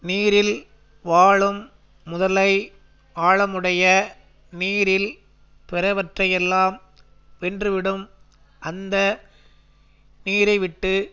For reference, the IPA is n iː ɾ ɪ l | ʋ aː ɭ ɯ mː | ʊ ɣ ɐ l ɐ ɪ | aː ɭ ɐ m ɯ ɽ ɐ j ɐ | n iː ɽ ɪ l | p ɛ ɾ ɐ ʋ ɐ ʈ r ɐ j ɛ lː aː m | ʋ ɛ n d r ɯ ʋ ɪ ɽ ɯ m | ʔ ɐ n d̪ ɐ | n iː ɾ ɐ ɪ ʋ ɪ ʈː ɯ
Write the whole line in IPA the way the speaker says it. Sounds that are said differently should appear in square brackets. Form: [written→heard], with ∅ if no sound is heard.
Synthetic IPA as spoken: n iː ɾ ɪ l | ʋ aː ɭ ɯ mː | ʊ [ɣ→ð] ɐ l ɐ ɪ | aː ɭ ɐ m ɯ ɽ ɐ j ɐ | n iː [ɽ→ɾ] ɪ l | p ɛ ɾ ɐ ʋ ɐ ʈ r ɐ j ɛ lː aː m | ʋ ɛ n d r ɯ ʋ ɪ ɽ ɯ m | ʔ ɐ n d̪ ɐ | n iː ɾ ɐ ɪ ʋ ɪ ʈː ɯ